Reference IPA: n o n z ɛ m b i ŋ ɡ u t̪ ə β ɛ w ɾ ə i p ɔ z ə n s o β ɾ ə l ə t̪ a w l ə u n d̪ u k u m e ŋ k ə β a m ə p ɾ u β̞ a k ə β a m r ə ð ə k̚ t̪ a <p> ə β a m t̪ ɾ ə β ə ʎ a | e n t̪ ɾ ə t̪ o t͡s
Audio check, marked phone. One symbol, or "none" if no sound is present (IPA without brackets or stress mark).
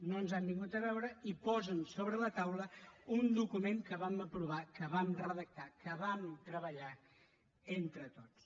k